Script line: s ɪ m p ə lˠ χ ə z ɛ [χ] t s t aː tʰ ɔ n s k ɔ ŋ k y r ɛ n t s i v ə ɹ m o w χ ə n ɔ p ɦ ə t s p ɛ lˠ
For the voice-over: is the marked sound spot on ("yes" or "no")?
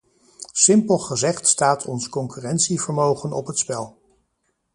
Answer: yes